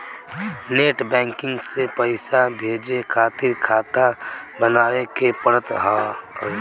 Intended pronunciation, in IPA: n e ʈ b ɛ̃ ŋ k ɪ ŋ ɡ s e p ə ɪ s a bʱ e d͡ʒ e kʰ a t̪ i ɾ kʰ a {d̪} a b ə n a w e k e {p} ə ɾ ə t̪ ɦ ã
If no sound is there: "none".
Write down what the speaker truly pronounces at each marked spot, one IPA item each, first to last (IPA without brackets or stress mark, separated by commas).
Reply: t̪, p